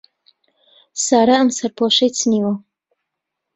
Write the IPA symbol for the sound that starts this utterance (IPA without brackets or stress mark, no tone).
s